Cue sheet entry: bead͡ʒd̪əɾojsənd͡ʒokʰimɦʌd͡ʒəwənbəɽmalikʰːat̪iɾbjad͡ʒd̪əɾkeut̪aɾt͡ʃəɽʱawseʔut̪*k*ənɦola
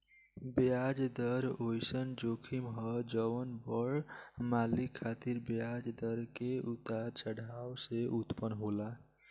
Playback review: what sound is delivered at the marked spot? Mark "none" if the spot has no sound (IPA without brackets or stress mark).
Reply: p